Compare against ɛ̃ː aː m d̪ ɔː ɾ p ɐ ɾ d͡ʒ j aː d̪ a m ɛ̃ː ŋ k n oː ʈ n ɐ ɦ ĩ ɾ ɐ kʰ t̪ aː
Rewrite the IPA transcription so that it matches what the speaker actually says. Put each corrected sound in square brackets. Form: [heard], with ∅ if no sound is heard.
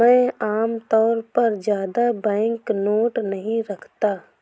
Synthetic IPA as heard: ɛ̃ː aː m [t̪] ɔː ɾ p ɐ ɾ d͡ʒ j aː d̪ a [b] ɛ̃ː ŋ k n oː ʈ n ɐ ɦ ĩ ɾ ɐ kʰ t̪ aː